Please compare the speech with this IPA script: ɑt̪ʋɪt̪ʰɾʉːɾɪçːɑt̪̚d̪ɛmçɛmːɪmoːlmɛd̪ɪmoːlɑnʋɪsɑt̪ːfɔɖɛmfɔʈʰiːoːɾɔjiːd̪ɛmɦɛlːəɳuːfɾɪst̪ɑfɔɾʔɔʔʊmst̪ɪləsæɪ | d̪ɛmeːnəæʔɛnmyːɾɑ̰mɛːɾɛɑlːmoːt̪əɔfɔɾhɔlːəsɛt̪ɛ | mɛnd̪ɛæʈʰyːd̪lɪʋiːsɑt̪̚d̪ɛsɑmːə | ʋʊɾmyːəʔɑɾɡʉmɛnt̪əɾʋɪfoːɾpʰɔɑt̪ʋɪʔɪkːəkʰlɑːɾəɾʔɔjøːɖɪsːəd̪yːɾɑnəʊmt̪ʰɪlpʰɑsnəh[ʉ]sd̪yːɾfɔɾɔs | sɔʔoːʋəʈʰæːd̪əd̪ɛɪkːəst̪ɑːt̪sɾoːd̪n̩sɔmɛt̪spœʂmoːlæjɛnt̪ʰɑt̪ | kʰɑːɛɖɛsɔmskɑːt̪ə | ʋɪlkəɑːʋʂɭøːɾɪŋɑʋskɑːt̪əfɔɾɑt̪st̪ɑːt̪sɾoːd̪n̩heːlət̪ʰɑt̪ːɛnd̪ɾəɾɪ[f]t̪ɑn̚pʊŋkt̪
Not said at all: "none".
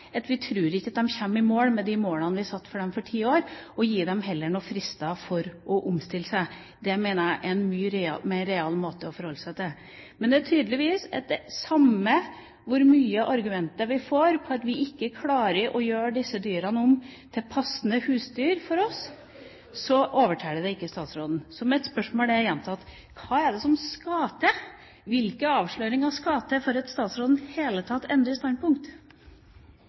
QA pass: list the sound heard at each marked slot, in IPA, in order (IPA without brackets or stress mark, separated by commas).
ʉː, s